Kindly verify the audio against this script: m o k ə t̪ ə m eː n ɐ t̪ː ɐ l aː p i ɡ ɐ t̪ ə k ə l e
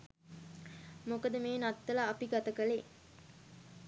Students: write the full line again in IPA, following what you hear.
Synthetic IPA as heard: m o k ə d̪ ə m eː n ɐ t̪ː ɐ l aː p i ɡ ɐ t̪ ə k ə l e